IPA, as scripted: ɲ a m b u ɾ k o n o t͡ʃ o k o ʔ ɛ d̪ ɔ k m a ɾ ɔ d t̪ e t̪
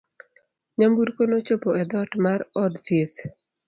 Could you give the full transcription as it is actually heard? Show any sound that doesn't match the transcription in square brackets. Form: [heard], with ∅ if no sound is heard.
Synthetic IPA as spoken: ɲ a m b u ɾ k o n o t͡ʃ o [p] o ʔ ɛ d̪ ɔ [t] m a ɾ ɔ d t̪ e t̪